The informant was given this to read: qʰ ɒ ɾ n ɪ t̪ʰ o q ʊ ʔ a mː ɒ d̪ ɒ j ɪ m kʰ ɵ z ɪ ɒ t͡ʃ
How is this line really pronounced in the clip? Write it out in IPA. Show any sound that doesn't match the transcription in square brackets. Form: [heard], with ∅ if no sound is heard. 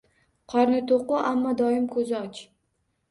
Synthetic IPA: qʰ ɒ ɾ n ɪ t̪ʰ o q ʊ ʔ a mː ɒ d̪ ɒ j ɪ m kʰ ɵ z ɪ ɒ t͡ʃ